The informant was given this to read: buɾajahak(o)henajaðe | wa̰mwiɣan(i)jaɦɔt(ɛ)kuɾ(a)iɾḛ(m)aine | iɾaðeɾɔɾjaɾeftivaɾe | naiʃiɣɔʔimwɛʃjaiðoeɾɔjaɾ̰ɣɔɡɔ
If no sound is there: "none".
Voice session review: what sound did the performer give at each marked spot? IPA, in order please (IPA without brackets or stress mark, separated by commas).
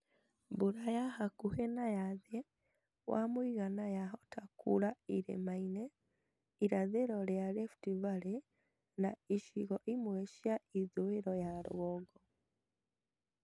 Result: u, a, a, a, m